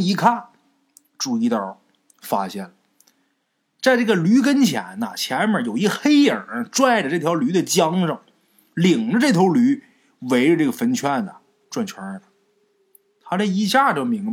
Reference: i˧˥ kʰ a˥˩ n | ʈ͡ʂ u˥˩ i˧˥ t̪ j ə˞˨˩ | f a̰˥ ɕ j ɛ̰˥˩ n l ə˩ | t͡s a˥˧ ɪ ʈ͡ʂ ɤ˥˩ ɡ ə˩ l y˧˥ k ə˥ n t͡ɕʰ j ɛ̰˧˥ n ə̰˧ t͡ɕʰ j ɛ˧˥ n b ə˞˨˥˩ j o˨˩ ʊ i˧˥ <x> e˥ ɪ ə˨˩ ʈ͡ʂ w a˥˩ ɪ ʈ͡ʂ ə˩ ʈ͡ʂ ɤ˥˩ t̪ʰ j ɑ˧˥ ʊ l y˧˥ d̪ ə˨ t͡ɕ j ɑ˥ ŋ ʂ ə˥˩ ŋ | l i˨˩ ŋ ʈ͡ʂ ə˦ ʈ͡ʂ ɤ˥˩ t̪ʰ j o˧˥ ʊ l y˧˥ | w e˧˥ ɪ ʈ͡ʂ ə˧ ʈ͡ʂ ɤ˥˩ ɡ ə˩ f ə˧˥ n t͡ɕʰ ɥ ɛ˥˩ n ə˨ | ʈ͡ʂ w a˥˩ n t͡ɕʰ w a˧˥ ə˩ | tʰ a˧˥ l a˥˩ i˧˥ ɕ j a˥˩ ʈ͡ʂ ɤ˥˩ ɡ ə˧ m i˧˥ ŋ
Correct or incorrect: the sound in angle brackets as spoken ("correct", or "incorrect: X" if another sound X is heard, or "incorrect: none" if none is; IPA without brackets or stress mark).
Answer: correct